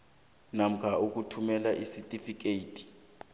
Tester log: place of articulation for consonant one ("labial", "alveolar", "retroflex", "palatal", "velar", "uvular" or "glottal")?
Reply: alveolar